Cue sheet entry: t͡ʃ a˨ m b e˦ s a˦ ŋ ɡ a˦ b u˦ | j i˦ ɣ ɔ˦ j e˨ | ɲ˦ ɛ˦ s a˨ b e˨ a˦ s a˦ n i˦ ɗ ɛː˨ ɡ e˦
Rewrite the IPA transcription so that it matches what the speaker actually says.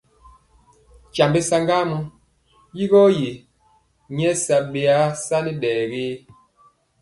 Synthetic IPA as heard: t͡ʃ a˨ m b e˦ s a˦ ŋ ɡ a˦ m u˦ | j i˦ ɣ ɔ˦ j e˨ | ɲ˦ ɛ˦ s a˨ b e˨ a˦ s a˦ n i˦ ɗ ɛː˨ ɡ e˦